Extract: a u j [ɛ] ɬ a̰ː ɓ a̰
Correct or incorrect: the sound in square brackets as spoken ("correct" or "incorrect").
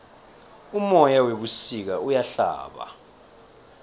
incorrect